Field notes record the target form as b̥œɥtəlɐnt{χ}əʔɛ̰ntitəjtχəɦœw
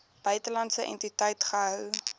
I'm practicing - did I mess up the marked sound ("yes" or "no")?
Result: yes